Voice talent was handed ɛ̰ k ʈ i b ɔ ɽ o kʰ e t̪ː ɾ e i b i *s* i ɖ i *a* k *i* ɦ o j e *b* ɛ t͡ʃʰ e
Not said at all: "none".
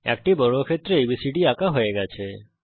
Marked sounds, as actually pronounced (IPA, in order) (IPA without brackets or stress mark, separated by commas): s, a, a, ɡ